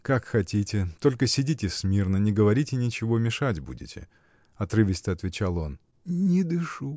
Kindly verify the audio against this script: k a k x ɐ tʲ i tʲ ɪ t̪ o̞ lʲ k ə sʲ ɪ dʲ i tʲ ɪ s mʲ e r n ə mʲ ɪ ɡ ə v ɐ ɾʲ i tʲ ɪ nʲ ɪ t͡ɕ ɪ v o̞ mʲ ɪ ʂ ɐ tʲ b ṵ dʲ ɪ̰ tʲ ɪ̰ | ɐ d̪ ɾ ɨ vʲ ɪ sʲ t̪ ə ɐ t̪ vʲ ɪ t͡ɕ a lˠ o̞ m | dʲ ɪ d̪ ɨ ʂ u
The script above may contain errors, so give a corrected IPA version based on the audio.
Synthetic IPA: k a k x ɐ tʲ i tʲ ɪ t̪ o̞ lʲ k ə sʲ ɪ dʲ i tʲ ɪ s mʲ i r n ə nʲ ɪ ɡ ə v ɐ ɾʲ i tʲ ɪ nʲ ɪ t͡ɕ ɪ v o̞ mʲ ɪ ʂ a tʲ b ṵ dʲ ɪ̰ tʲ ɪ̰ | ɐ t̪ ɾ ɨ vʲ ɪ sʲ t̪ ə ɐ t̪ vʲ ɪ t͡ɕ a lˠ o̞ n | nʲ ɪ d̪ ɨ ʂ u